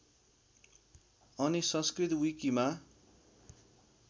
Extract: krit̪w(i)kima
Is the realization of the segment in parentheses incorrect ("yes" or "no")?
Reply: no